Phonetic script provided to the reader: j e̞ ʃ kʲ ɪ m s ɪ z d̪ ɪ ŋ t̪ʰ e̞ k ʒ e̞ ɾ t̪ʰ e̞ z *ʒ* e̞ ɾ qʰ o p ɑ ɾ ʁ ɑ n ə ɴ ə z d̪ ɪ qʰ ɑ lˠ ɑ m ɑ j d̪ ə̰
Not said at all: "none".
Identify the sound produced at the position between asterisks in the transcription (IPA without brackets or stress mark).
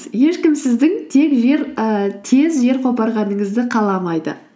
ʒ